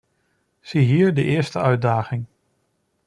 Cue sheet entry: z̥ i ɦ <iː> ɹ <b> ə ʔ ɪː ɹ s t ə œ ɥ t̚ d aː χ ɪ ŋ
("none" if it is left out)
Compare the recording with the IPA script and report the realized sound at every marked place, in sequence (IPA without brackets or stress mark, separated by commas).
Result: iː, d